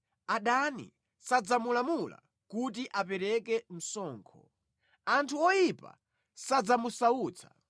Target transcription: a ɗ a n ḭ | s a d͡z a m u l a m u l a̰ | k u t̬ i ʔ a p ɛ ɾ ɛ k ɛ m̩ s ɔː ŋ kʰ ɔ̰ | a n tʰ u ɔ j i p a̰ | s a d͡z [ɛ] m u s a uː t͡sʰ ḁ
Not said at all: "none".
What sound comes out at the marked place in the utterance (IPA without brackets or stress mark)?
a